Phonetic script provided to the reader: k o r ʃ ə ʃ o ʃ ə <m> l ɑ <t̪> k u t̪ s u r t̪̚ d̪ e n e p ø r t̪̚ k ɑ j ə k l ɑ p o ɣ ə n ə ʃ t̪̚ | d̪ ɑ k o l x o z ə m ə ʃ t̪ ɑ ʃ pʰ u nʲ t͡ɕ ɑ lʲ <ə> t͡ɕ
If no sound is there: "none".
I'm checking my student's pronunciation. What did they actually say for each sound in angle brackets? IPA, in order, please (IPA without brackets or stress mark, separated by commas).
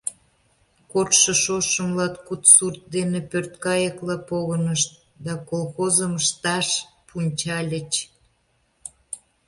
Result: m, t̪, ə